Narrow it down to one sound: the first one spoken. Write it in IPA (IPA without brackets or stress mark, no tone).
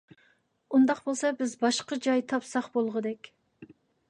u